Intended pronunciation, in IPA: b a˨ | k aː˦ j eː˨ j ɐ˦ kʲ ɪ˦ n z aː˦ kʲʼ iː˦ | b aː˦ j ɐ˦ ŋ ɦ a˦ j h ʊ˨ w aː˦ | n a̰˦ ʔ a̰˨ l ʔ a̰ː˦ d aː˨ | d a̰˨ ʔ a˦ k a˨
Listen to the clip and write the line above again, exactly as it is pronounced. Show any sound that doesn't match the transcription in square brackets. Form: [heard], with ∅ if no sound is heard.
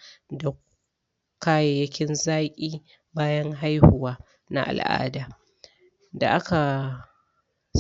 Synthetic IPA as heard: [d] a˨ | k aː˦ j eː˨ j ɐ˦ kʲ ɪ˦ n z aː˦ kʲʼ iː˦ | b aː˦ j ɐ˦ ŋ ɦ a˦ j h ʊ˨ w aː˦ | n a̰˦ ʔ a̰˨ l ʔ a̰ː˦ d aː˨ | d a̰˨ ʔ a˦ k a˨